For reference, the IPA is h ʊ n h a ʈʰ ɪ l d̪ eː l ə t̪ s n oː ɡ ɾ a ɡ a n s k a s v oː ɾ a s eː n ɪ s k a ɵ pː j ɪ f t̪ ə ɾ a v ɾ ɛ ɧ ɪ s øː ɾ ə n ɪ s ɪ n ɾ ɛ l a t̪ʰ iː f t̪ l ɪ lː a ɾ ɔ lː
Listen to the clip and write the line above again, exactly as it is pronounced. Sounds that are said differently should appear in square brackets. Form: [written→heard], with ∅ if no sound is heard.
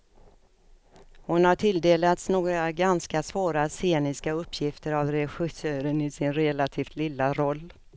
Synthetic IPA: h ʊ n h a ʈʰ ɪ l d̪ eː l [ə→a] t̪ s n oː ɡ ɾ a ɡ a n s k a s v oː ɾ a s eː n ɪ s k a ɵ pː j ɪ f t̪ ə ɾ a v ɾ ɛ ɧ ɪ s øː ɾ ə n ɪ s ɪ n ɾ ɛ l a t̪ʰ iː f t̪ l ɪ lː a ɾ ɔ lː